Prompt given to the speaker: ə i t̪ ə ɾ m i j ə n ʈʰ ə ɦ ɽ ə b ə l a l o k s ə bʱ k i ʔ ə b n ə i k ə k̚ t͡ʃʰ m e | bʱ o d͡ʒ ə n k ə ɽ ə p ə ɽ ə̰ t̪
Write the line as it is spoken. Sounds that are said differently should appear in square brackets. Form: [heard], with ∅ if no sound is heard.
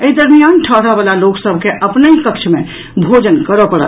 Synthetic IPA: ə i [d̪] ə ɾ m i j [a] n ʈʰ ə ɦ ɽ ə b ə l a l o k s ə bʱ k [e] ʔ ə [p] n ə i k ə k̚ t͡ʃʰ m e | bʱ o d͡ʒ ə n k ə [ɾ] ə p ə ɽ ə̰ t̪